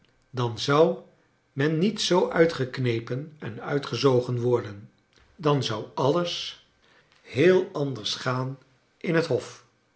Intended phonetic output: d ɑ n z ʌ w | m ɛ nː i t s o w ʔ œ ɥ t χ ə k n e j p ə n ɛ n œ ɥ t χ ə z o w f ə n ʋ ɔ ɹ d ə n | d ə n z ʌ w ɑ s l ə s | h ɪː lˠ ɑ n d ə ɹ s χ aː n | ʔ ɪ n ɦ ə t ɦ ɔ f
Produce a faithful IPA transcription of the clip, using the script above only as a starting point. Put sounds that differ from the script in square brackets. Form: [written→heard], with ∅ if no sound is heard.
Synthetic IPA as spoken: d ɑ n z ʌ w | m ɛ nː i t s o w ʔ œ ɥ t χ ə k n e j p ə n ɛ n œ ɥ t χ ə z o w [f→χ] ə n ʋ ɔ ɹ d ə n | d [ə→ɑ] n z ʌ w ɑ [s→∅] l ə s | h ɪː lˠ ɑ n d ə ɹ s χ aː n | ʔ ɪ n ɦ ə t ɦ ɔ f

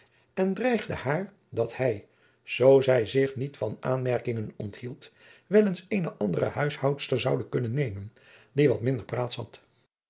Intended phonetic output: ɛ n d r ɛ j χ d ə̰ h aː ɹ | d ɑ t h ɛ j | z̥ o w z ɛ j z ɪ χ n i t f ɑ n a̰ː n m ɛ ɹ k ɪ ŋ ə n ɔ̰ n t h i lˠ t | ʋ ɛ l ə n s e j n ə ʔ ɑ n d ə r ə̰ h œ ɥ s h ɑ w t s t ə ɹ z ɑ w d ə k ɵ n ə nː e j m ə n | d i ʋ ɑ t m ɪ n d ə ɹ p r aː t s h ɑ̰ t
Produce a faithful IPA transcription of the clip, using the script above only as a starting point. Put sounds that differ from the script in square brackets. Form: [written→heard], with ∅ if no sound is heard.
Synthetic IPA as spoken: ɛ n d r ɛ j χ d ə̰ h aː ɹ | d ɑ t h ɛ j | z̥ o w z ɛ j z ɪ χ n i t f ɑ n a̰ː n m ɛ ɹ k ɪ ŋ ə n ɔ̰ n t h i lˠ t | ʋ ɛ l ə n s e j n ə ʔ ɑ n d ə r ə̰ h œ ɥ s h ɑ w t s t ə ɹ z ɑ w d ə k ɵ n ə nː e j m ə n | d i ʋ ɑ t m ɪ n d ə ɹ p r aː t s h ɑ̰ t

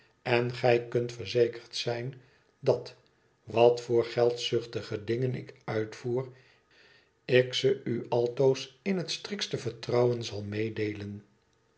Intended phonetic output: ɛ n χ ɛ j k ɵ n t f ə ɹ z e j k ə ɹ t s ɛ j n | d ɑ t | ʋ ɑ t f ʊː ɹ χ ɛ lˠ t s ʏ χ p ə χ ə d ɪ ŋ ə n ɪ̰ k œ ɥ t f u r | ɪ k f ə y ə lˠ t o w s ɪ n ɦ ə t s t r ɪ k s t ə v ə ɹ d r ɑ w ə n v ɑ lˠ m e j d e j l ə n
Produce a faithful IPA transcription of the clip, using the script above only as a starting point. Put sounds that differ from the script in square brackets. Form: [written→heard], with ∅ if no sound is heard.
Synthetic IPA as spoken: ɛ n χ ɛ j k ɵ n t f ə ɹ z e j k ə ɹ t s ɛ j n | d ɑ t | ʋ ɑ t f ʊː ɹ χ ɛ lˠ t s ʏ χ [p→t] ə χ ə d ɪ ŋ ə n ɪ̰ k œ ɥ t f [u→uː] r | ɪ k [f→s] ə y [ə→ɑ] lˠ t o w s ɪ n ɦ ə t s t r ɪ k s t ə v ə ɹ [d→t] r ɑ w ə n [v→z] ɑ lˠ m e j d e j l ə n

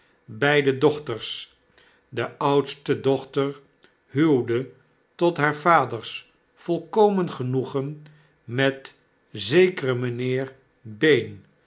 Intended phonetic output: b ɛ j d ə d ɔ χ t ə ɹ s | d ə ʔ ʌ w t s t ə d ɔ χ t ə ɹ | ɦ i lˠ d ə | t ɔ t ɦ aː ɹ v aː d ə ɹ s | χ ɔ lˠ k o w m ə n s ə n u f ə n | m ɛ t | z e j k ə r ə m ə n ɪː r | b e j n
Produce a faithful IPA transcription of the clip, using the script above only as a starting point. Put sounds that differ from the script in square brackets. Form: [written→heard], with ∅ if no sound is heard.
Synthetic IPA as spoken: b ɛ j d ə d ɔ χ t ə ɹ s | d ə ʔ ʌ w t s t ə d ɔ χ t ə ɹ | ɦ [i→y] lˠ d ə | t ɔ t ɦ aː ɹ v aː d ə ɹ s | [χ→f] ɔ lˠ k o w m ə n [s→χ] ə n u [f→χ] ə n | m ɛ t | z e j k ə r ə m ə n ɪː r | b e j n

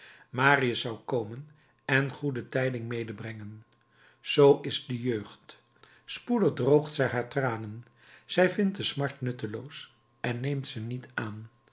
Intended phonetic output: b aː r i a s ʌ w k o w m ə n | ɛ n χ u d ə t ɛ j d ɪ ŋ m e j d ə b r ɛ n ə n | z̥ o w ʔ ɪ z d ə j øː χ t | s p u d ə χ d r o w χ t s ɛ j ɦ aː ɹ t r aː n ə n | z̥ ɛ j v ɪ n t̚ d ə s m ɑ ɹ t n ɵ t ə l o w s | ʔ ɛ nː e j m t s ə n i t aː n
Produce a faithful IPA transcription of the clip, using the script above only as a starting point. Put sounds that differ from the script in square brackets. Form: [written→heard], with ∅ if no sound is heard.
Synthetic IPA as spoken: [b→m] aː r i [a→ə] s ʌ w k o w m ə n | ɛ n χ u d ə t ɛ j d ɪ ŋ m e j d ə b r ɛ [n→ŋ] ə n | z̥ o w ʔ ɪ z d ə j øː χ t | s p u d ə χ d r o w χ t s ɛ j ɦ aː ɹ t r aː n ə n | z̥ ɛ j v ɪ n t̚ d ə s m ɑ ɹ t n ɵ t ə l o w s | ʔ ɛ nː e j m t s ə n i t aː n

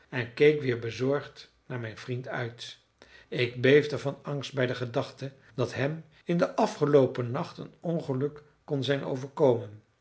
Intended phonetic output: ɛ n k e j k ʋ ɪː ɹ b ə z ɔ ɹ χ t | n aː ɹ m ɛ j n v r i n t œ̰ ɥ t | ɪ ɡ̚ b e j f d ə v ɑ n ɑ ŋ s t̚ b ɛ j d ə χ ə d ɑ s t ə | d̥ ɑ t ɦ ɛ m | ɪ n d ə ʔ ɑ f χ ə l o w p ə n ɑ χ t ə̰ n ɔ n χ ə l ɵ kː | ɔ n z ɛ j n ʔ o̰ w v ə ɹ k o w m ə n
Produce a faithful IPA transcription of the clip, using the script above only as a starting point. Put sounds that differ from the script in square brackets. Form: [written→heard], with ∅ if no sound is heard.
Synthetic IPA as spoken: ɛ n k e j k ʋ ɪː ɹ b ə z ɔ ɹ χ t | n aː ɹ m ɛ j n v r i n t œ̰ ɥ t | ɪ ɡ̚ b e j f d ə v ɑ n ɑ ŋ s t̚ b ɛ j d ə χ ə d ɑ [s→χ] t ə | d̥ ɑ t ɦ ɛ m | ɪ n d ə ʔ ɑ f χ ə l o w p ə n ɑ χ t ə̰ n ɔ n χ ə l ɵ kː | ɔ n z ɛ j n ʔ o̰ w v ə ɹ k o w m ə n

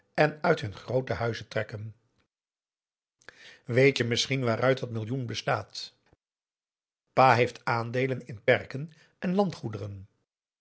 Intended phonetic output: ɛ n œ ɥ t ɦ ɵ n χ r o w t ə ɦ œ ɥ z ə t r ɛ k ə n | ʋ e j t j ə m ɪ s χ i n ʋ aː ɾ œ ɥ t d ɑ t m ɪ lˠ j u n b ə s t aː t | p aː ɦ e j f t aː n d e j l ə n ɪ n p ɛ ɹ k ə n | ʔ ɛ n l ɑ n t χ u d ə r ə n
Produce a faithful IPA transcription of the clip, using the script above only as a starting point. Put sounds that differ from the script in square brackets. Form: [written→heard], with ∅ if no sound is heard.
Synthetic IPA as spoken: ɛ n œ ɥ t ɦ ɵ n χ r o w t ə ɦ œ ɥ z ə t r ɛ k ə n | ʋ e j t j ə m ɪ s χ i n ʋ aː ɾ œ ɥ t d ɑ t m ɪ lˠ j u n b ə s t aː t | p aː ɦ e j f t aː n d e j l ə n ɪ n p ɛ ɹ k ə n | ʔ ɛ n l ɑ n t χ u d ə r ə n

